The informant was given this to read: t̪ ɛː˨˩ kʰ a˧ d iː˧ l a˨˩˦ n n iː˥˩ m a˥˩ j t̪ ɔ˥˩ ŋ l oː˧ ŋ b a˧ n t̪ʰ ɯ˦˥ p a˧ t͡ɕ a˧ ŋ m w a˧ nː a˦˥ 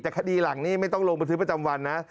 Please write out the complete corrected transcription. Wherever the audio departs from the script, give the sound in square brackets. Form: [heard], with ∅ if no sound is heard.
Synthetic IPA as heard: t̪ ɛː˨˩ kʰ a˧ d iː˧ l a˨˩˦ [ŋ] n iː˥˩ m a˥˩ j t̪ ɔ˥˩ ŋ l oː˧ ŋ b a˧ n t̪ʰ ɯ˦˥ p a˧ t͡ɕ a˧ [∅] m w a˧ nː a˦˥